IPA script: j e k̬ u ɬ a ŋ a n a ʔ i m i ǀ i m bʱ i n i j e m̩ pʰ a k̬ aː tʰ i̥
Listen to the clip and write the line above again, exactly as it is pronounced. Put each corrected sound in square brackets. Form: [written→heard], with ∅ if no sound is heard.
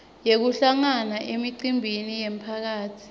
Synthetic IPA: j e k̬ u ɬ a ŋ a n a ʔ [i→e] m i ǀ i m bʱ i n i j e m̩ pʰ a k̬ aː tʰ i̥